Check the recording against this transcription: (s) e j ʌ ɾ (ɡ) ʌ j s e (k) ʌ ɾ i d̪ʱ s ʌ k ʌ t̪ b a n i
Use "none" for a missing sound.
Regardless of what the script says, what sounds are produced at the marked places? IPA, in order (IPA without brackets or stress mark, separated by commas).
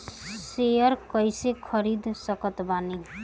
s, k, kʰ